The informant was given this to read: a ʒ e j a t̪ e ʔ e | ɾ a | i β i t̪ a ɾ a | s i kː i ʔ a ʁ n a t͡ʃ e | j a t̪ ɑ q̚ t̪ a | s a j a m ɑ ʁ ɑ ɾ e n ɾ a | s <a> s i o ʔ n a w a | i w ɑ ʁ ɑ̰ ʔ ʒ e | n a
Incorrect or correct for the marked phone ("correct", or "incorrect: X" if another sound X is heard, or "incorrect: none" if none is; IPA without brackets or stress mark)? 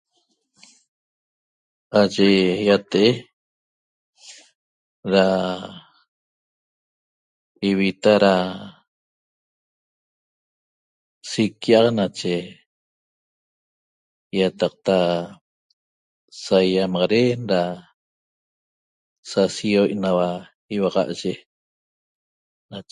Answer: correct